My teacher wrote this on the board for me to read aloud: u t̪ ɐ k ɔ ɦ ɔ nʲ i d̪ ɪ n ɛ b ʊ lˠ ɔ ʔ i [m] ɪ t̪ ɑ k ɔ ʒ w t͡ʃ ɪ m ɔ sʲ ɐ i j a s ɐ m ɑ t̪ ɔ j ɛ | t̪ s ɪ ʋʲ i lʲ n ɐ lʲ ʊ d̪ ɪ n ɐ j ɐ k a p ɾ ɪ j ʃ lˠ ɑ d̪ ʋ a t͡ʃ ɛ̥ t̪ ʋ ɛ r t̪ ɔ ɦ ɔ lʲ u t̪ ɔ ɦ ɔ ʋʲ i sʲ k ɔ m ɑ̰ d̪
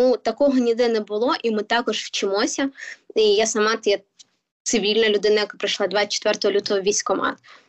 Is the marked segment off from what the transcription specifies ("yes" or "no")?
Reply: no